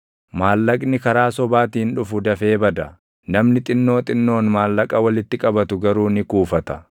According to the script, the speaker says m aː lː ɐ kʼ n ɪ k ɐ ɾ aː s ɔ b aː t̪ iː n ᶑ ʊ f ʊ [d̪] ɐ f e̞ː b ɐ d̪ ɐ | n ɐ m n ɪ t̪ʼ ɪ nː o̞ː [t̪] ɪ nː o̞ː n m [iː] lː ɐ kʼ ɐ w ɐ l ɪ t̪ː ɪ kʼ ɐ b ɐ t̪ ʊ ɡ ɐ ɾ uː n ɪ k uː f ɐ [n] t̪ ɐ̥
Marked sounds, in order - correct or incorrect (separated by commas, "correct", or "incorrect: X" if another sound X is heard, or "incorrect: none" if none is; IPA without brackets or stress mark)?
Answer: correct, incorrect: t̪ʼ, incorrect: aː, incorrect: none